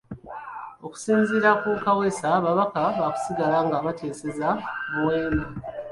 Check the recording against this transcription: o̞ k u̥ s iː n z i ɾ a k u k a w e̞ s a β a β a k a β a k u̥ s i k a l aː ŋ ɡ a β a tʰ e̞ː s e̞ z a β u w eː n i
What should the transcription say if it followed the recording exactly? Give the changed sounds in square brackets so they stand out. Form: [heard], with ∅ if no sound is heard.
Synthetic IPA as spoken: o̞ k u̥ s iː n z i ɾ a k u k a w e̞ s a β a β a k a β a k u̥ s i [ɡ] a l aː ŋ ɡ a β a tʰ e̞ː s e̞ z a β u w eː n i